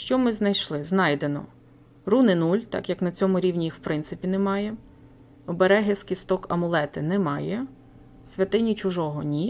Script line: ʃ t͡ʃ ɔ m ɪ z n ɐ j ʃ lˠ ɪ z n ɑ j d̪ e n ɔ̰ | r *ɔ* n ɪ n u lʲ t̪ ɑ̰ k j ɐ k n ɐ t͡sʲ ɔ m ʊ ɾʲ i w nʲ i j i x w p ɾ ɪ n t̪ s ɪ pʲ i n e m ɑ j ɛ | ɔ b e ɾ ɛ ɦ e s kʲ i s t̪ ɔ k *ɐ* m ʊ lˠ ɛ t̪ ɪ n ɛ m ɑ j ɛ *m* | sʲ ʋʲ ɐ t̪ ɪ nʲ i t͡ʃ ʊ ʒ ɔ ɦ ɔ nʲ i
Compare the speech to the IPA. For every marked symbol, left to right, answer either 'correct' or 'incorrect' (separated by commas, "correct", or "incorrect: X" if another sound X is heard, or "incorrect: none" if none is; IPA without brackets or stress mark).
incorrect: u, correct, incorrect: none